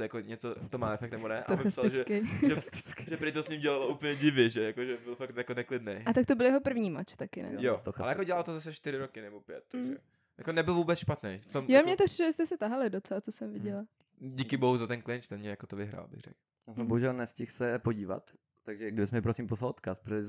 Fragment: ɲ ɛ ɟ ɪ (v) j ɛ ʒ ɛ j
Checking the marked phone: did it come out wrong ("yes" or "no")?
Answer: no